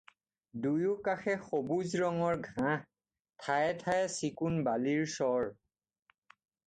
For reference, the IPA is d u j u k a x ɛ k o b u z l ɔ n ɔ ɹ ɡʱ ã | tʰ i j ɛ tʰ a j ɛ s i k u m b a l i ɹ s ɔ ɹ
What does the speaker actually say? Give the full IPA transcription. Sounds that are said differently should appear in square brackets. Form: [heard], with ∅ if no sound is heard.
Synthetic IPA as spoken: d u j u k a x ɛ [x] o b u z [ɹ] ɔ [ŋ] ɔ ɹ ɡʱ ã | tʰ [a] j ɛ tʰ a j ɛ s i k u [n] b a l i ɹ s ɔ ɹ